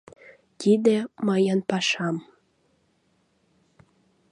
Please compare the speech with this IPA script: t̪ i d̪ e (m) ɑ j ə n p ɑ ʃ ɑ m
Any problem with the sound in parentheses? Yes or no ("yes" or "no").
no